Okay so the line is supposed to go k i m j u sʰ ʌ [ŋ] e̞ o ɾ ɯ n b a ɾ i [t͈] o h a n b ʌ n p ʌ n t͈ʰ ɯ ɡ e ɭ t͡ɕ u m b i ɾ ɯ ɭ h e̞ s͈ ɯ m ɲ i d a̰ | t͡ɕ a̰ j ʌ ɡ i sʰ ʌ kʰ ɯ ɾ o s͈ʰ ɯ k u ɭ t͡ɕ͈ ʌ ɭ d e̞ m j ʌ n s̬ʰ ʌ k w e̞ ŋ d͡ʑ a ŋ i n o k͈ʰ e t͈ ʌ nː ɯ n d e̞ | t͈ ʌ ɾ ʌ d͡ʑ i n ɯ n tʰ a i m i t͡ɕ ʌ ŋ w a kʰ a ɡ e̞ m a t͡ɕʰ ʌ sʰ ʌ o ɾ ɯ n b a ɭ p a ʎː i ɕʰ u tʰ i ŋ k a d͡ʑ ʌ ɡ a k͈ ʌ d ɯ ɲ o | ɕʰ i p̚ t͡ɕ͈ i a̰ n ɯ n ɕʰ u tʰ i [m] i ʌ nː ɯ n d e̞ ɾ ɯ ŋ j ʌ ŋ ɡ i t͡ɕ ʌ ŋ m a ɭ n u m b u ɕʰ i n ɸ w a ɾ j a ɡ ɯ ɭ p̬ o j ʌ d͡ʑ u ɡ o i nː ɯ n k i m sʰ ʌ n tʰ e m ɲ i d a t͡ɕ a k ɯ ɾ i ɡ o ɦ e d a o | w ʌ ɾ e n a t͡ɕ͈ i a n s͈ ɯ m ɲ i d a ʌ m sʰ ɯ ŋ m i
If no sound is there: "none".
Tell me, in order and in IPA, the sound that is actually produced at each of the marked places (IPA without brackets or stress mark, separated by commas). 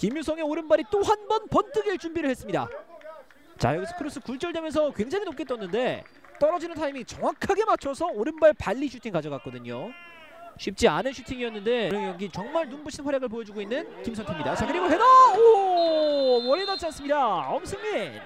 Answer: ŋ, t͈, ŋ